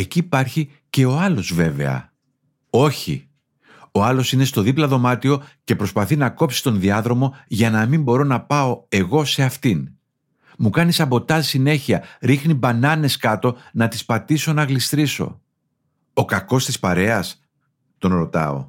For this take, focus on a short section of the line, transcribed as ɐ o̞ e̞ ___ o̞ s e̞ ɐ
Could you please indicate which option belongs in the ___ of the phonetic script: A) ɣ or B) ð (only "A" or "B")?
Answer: A